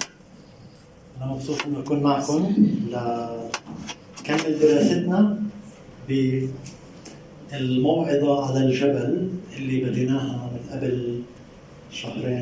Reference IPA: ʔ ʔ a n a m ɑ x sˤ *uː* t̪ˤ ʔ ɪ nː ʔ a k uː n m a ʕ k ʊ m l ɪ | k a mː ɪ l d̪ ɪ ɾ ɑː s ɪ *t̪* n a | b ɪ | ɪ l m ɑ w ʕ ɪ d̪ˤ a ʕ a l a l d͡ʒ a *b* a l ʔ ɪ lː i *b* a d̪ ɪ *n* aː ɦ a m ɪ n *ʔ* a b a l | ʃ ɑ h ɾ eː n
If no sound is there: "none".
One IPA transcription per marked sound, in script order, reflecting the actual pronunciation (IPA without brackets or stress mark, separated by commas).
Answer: uː, t̪, b, b, n, ʔ